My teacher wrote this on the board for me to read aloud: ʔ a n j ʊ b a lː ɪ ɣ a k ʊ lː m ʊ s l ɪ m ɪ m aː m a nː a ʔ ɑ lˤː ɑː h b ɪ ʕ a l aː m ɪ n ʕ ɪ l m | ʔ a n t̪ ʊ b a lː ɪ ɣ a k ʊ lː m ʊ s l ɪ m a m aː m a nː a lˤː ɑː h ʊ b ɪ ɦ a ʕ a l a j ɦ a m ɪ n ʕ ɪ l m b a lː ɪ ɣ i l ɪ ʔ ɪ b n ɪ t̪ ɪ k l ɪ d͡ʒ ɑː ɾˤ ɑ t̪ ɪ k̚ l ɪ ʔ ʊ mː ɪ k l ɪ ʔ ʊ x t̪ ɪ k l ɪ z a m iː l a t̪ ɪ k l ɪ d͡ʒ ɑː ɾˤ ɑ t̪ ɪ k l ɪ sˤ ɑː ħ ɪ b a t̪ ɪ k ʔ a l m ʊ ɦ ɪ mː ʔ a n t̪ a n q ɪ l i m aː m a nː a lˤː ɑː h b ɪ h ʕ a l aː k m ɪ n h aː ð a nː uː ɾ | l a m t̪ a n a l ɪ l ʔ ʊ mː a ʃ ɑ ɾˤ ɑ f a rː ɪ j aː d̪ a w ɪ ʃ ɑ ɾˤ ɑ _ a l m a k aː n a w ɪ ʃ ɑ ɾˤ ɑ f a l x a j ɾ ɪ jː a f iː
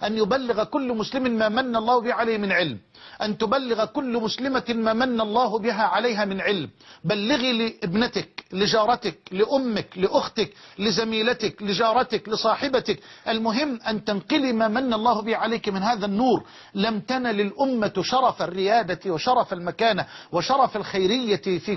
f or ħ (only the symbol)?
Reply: f